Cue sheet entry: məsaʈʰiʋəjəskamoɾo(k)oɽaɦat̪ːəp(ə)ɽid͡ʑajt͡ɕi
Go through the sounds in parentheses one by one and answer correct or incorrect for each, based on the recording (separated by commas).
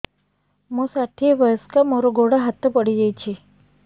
incorrect, correct